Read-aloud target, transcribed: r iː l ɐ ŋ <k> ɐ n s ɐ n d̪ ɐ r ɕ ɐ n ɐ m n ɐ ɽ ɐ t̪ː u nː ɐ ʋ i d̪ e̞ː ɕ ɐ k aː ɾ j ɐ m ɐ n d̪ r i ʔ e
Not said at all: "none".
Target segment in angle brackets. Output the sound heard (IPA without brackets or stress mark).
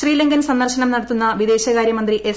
ɡ